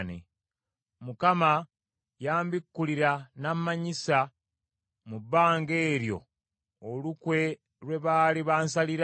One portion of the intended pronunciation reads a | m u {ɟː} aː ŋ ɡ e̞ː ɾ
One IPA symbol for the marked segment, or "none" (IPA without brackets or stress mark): bː